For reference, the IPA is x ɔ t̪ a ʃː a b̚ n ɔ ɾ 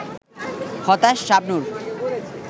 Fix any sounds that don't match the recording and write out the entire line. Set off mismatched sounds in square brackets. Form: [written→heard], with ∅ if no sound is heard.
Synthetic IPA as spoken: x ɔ t̪ a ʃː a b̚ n [ɔ→u] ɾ